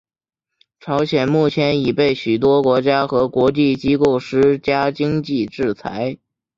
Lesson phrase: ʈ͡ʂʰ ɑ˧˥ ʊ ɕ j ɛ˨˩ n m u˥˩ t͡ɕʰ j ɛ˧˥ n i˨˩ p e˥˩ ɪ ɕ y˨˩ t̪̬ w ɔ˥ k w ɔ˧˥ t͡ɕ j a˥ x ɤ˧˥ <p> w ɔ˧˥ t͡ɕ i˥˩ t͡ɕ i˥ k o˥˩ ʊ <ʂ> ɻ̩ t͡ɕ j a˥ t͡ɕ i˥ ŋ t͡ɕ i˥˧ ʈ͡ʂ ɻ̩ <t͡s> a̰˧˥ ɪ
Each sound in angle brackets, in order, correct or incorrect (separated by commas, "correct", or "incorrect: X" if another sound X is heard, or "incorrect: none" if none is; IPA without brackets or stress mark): incorrect: k, correct, incorrect: t͡sʰ